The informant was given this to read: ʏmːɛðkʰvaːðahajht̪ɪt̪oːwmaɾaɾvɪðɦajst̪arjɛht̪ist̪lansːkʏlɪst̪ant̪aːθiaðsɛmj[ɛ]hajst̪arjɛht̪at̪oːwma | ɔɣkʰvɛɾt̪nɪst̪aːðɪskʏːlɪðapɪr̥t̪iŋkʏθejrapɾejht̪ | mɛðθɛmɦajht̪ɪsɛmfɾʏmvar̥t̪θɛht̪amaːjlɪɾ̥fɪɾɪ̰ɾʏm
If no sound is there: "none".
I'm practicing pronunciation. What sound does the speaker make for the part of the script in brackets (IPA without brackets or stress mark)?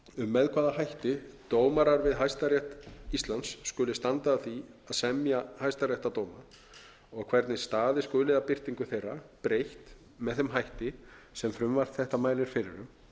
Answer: a